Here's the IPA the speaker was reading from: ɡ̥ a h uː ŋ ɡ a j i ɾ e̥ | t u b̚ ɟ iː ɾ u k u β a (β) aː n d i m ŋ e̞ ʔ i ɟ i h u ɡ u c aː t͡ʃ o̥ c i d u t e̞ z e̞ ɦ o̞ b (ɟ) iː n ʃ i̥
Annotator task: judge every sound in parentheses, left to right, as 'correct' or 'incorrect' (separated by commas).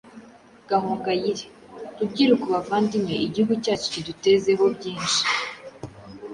incorrect, correct